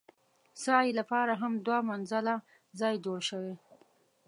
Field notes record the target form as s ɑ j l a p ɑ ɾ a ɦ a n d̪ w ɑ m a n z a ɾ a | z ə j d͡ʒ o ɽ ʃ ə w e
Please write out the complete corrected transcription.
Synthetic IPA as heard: s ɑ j l a p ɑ ɾ a ɦ a m d̪ w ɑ m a n z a l a | z ɑ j d͡ʒ o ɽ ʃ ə w e